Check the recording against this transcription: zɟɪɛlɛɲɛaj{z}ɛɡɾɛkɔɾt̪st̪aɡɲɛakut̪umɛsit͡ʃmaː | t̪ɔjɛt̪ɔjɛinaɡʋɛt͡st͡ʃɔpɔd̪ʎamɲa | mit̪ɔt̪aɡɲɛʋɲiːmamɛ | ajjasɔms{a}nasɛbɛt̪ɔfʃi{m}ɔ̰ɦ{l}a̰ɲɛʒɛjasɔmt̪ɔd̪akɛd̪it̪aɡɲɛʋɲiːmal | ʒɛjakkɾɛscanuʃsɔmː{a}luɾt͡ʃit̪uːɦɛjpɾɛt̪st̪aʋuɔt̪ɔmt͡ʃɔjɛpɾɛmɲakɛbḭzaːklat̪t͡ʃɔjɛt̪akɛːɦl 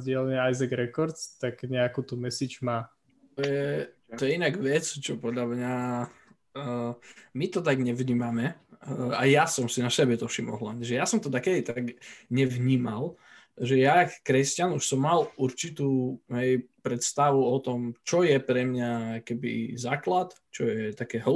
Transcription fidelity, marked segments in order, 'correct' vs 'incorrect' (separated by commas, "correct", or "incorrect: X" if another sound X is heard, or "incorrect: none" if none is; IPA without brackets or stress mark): correct, incorrect: i, correct, correct, correct